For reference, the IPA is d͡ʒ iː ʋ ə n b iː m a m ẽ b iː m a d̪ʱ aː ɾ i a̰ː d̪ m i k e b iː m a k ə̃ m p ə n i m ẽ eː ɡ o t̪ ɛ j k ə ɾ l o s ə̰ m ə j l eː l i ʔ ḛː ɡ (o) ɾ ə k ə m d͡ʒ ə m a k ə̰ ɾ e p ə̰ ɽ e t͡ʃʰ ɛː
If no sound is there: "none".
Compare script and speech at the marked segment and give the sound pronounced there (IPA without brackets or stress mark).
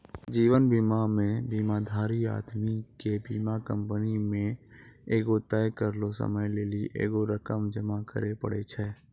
o